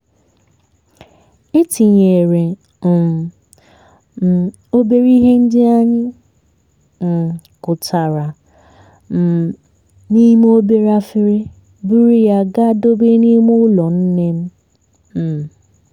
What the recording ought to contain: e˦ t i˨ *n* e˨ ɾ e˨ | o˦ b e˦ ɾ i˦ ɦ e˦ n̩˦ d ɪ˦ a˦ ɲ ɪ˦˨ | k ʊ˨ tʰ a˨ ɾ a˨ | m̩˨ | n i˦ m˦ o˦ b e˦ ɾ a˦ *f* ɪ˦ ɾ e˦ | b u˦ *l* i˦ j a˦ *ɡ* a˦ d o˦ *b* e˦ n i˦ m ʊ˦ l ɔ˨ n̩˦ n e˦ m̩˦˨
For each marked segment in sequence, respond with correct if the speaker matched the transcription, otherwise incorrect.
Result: incorrect, correct, incorrect, correct, correct

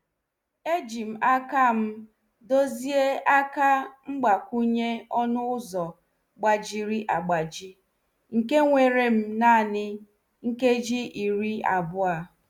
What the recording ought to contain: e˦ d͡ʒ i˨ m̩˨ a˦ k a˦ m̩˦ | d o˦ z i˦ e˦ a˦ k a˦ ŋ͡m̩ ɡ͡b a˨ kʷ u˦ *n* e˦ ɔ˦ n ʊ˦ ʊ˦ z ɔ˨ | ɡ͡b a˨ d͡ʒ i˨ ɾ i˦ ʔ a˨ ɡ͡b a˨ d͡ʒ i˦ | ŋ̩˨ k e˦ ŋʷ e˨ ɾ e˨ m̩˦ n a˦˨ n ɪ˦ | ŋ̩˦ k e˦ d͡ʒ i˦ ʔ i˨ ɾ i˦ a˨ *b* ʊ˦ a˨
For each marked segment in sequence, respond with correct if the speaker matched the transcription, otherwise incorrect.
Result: incorrect, correct

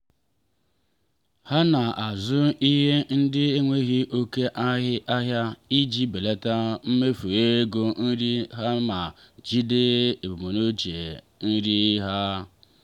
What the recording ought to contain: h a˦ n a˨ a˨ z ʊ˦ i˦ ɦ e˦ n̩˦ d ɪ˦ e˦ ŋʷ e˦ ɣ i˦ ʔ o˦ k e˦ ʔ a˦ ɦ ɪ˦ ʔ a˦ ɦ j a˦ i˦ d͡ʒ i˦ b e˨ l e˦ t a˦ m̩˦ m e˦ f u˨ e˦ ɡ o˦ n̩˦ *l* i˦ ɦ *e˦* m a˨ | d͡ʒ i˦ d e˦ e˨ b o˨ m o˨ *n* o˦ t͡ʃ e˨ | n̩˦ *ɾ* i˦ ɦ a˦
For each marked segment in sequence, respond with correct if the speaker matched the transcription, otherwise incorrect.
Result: incorrect, incorrect, correct, correct

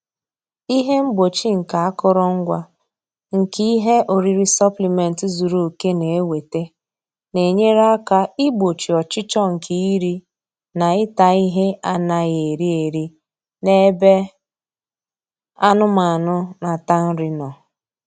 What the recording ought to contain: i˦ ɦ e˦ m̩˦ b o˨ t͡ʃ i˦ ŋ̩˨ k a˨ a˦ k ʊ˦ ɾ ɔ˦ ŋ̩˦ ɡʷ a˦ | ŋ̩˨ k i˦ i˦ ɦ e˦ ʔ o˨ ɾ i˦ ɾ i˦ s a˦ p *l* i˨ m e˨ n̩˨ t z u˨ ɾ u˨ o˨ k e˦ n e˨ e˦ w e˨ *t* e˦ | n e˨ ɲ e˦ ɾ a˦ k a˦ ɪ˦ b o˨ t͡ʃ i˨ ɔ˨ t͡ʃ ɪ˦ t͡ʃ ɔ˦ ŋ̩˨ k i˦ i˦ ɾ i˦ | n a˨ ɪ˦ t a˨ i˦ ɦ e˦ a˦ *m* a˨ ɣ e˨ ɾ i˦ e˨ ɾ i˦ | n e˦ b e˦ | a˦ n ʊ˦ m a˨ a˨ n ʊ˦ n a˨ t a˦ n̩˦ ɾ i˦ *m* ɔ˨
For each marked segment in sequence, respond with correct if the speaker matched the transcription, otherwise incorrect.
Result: correct, correct, incorrect, incorrect

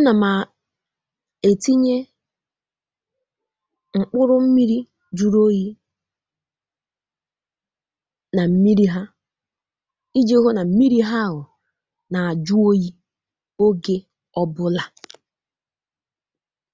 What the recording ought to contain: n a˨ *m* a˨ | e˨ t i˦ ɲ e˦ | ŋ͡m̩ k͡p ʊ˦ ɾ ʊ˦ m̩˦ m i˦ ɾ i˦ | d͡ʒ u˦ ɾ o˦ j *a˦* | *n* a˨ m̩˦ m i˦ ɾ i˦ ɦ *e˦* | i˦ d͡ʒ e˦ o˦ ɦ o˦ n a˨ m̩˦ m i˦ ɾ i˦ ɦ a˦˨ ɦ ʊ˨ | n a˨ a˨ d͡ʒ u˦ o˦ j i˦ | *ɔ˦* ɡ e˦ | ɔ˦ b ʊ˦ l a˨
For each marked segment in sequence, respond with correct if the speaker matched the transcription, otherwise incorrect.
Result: correct, incorrect, correct, incorrect, incorrect

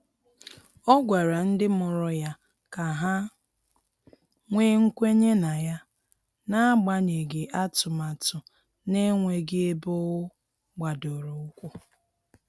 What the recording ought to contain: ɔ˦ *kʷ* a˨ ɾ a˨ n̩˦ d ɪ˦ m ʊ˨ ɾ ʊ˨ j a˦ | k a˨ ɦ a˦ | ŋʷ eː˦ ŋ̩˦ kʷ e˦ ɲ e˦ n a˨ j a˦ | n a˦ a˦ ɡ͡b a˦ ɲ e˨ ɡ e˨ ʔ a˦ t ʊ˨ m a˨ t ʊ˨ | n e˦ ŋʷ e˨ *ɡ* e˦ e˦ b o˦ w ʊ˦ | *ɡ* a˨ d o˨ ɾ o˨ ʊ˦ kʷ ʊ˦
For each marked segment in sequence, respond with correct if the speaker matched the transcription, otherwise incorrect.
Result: incorrect, correct, incorrect

